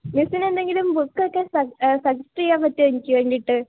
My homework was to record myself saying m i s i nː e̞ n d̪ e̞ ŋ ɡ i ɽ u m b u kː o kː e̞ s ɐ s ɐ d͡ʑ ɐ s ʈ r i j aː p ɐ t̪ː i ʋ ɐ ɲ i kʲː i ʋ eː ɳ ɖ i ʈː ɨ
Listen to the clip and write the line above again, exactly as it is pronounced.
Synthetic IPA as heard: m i s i n e̞ n d̪ e̞ ŋ ɡ i l u m b u kː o kː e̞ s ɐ s ɐ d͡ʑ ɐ s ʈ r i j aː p ɐ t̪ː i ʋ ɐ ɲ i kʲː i ʋ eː ɳ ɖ i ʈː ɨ

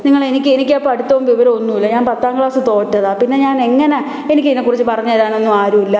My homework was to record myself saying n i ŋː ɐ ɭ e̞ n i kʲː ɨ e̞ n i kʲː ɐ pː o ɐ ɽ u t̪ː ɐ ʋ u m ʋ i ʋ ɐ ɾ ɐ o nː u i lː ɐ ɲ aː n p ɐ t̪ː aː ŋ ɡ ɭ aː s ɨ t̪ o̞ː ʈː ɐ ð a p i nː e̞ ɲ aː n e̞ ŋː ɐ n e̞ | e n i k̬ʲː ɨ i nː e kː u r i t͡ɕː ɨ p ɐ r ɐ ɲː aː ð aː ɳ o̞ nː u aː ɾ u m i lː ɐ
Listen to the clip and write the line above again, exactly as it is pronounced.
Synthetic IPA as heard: n i ŋː ɐ ɭ e̞ n i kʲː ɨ e̞ n i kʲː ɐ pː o ɐ ɽ u t̪ː ɐ ʋ u m ʋ i ʋ ɐ ɾ ɐ o nː u i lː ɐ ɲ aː n p ɐ t̪ː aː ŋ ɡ ɭ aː s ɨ t̪ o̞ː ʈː ɐ ð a p i nː e̞ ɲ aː n e̞ ŋː ɐ n e̞ | e n i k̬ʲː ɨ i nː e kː u r i t͡ɕː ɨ p ɐ r ɐ ɲː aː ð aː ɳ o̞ nː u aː ɾ u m i lː ɐ

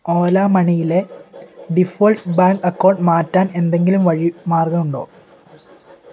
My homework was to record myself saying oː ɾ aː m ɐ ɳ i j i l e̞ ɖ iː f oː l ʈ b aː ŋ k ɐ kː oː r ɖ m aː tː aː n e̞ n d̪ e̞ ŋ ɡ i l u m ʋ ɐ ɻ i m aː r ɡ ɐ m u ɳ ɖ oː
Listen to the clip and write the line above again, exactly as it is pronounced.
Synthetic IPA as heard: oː l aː m ɐ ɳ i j i l e̞ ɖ i f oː l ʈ b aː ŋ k ɐ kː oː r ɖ m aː tː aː n e̞ n d̪ e̞ ŋ ɡ i l u m ʋ ɐ ɻ i m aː r ɡ ɐ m u ɳ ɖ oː

